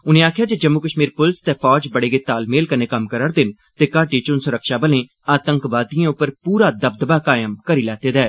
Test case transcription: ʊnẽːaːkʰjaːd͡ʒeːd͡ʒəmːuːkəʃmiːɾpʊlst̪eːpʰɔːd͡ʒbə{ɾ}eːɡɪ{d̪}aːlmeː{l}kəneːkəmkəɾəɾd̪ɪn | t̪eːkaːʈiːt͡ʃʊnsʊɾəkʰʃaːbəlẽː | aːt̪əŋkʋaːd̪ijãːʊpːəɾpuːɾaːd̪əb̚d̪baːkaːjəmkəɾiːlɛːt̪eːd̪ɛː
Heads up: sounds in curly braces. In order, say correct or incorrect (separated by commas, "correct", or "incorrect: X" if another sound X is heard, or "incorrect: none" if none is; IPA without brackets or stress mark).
incorrect: ɽ, incorrect: t̪, correct